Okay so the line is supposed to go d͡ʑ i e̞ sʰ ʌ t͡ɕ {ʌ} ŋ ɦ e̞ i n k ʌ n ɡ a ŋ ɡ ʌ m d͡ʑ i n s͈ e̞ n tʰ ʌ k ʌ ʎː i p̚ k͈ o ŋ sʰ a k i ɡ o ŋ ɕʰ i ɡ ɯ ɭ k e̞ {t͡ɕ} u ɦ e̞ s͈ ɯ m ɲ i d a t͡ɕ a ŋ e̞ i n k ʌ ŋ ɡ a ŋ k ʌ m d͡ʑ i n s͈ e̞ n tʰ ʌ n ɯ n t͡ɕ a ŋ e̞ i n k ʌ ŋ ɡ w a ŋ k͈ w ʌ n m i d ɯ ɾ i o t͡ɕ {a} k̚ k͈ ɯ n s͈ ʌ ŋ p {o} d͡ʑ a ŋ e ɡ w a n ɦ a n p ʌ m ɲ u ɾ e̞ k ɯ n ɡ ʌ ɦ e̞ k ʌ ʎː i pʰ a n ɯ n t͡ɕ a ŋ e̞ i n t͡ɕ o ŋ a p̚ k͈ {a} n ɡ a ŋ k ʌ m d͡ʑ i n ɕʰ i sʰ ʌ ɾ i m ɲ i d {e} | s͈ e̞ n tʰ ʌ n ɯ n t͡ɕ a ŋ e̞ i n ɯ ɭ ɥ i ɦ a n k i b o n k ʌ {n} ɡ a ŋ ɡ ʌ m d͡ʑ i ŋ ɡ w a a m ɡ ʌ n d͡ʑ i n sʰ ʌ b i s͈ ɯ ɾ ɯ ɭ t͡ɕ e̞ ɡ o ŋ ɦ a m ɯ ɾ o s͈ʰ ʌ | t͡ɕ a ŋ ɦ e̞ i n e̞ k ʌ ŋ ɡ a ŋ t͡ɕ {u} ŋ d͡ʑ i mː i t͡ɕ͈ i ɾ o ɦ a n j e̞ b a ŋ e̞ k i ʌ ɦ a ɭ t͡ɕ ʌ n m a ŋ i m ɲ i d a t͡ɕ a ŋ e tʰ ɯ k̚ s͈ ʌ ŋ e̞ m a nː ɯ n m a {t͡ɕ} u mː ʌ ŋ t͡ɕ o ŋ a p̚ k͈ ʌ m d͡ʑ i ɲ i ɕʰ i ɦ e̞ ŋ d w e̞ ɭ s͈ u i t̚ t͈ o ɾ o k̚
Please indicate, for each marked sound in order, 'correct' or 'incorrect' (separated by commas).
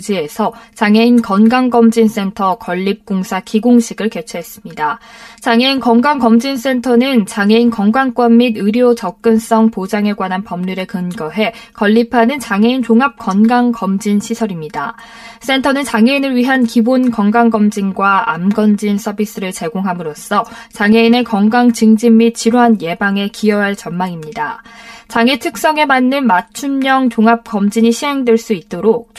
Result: incorrect, incorrect, incorrect, correct, incorrect, incorrect, incorrect, incorrect, incorrect